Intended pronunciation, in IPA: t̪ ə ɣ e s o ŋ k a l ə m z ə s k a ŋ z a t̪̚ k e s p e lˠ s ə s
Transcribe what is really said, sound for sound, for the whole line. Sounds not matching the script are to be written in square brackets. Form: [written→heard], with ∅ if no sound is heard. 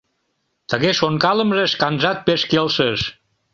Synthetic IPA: t̪ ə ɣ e s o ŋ k a l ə m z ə s k a [ŋ→n] z a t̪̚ [k→p] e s [p→k] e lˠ s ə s